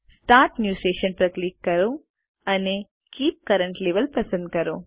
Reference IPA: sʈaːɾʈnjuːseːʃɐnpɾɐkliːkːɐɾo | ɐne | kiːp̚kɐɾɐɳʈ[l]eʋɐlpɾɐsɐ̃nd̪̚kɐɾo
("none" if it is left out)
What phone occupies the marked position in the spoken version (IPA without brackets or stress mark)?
l